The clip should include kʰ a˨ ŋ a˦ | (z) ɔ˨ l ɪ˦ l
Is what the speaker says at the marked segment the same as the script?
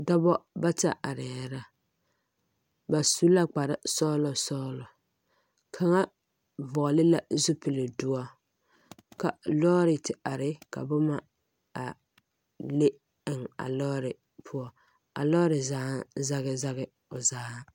no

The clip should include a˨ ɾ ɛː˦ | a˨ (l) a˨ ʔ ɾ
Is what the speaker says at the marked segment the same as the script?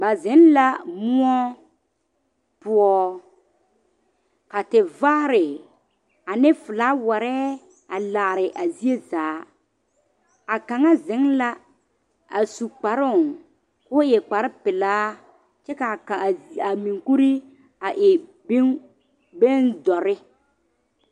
yes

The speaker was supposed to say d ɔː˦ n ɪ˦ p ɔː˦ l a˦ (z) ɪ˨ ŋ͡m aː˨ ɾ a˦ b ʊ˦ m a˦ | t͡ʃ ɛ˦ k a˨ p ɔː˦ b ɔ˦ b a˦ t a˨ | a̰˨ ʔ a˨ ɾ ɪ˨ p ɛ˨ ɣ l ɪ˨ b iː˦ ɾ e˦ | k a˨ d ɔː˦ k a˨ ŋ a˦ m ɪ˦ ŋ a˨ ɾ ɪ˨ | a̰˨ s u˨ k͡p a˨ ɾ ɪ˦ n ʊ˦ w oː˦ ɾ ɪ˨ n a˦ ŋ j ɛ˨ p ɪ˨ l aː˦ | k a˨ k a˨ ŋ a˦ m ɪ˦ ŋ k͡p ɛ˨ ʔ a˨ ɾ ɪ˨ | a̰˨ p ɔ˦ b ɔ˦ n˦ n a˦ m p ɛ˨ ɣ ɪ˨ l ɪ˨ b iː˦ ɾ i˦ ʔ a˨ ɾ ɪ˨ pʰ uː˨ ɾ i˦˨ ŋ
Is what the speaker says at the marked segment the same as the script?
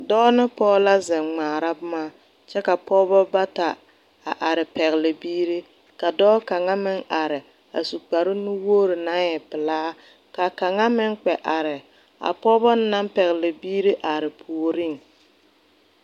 yes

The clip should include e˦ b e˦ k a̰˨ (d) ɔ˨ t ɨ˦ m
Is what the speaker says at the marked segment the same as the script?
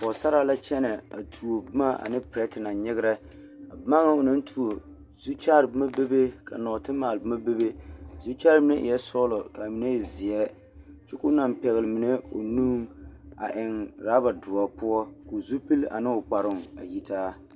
no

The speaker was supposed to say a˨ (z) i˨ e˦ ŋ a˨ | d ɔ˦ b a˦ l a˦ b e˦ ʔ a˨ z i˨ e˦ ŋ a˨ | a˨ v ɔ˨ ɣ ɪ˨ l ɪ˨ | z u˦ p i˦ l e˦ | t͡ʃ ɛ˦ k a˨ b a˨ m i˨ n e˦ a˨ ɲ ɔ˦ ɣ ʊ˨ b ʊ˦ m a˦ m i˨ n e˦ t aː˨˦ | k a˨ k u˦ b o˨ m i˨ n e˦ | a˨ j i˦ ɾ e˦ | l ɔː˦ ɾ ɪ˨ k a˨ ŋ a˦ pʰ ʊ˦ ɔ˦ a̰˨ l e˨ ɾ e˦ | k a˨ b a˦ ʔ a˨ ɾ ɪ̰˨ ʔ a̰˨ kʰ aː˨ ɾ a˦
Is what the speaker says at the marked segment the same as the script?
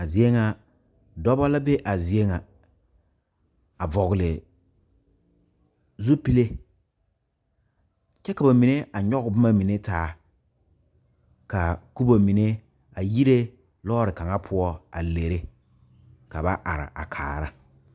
yes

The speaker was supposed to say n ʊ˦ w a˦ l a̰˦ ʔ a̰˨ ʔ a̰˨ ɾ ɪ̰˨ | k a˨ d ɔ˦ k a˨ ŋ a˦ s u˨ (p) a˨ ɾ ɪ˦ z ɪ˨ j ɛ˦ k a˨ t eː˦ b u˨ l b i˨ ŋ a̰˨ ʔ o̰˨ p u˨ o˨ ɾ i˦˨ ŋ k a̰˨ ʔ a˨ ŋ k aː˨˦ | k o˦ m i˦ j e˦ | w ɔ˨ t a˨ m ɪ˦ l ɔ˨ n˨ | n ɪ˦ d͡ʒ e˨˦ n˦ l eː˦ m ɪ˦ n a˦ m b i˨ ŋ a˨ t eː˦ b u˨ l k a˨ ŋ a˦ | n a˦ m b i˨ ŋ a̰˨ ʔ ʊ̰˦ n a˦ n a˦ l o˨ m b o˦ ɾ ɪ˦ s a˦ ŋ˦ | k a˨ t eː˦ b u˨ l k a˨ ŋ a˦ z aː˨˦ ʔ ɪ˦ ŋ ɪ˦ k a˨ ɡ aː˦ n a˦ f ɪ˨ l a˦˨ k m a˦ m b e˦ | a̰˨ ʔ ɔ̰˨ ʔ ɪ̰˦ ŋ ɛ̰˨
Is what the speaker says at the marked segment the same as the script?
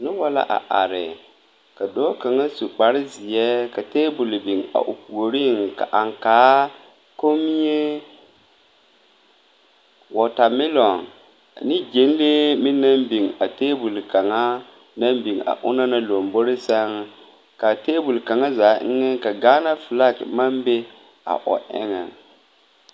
no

